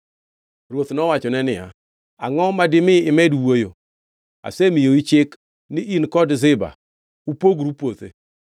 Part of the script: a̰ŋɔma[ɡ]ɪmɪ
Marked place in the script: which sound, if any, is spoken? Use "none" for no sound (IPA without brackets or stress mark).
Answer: d